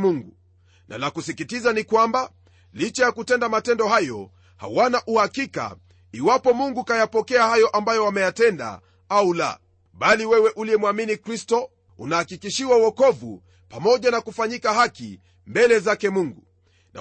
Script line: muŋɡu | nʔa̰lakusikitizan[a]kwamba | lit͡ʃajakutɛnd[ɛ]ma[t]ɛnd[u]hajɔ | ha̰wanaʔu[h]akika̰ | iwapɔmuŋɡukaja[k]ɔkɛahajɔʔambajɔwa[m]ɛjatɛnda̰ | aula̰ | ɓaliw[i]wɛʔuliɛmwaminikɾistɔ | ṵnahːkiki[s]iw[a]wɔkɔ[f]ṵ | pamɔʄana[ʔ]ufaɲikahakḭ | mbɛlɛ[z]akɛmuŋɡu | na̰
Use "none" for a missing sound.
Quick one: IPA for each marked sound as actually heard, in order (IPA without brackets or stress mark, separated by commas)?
i, a, t, ɔ, h, p, m, ɛ, ʃ, a, v, k, z